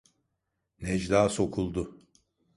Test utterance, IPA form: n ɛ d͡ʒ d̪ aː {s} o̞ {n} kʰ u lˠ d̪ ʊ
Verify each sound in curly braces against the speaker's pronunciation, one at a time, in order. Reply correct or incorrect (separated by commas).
correct, incorrect